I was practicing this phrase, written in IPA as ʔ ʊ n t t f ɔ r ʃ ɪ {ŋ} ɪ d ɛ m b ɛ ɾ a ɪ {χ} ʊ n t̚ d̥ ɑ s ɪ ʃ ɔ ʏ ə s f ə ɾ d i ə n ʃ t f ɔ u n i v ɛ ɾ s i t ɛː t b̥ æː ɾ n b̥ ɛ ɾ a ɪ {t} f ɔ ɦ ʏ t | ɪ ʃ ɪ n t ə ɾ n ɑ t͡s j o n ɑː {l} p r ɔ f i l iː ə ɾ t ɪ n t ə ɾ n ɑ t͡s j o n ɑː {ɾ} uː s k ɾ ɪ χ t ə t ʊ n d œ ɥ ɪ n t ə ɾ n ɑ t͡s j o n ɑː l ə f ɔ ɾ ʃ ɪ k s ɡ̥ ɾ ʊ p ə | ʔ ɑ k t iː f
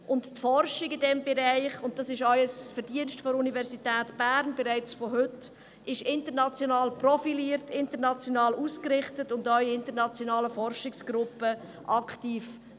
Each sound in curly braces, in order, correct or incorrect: incorrect: ɡ, correct, incorrect: t͡s, correct, incorrect: l

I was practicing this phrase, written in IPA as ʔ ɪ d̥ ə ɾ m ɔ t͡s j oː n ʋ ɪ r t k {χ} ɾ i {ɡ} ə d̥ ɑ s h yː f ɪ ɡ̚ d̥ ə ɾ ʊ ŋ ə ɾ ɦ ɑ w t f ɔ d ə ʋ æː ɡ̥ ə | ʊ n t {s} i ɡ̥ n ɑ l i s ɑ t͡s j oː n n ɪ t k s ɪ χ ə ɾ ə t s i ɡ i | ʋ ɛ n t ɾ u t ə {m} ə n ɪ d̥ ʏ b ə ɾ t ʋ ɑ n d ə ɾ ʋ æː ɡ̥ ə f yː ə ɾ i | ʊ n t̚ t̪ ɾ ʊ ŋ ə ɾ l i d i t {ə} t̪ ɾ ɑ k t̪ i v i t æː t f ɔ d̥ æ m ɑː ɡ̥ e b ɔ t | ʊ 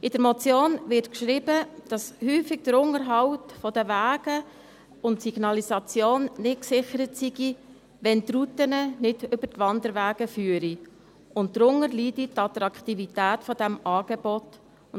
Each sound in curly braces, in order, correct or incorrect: incorrect: ʃ, incorrect: b, correct, incorrect: n, incorrect: ɑ

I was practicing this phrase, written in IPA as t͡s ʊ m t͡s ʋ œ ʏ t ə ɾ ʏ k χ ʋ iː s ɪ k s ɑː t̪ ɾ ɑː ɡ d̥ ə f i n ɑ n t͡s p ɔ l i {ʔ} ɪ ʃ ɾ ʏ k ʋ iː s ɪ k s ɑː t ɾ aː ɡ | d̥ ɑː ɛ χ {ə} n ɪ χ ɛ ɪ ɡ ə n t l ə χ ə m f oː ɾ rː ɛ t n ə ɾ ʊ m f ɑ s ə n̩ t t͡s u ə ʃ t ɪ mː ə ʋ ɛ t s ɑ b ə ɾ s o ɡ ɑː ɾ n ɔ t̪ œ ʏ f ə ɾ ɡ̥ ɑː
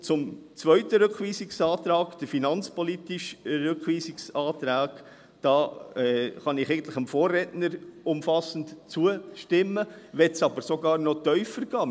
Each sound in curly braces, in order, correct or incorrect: incorrect: t, incorrect: ɑ

